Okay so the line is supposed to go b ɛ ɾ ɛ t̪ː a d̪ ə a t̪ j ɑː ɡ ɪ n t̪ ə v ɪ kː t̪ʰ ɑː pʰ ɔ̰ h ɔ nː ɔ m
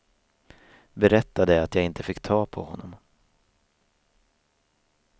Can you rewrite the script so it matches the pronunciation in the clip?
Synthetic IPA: b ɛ ɾ ɛ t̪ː a d̪ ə a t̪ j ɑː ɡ ɪ n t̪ ə f ɪ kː t̪ʰ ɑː pʰ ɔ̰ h ɔ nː ɔ m